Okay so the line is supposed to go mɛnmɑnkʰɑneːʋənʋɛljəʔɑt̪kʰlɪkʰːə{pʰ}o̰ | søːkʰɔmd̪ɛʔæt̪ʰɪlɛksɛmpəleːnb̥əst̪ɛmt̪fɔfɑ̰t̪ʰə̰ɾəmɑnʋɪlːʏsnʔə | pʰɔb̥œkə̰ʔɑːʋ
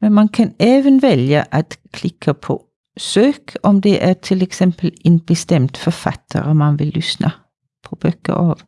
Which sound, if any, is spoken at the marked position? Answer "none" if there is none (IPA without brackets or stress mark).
pʰ